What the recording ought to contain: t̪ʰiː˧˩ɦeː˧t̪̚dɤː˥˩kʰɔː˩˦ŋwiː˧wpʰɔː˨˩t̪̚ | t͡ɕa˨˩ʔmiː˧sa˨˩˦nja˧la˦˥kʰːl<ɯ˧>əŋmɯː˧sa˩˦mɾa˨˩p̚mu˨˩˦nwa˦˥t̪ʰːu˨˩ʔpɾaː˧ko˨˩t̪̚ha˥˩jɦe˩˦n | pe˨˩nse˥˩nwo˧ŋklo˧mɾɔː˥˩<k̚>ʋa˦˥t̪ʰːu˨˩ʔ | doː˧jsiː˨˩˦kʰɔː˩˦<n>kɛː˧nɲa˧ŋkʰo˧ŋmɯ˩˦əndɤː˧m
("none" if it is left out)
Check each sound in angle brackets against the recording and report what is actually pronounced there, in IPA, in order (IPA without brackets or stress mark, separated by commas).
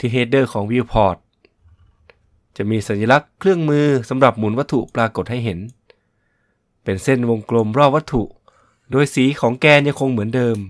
ɯ˥˩, p̚, ŋ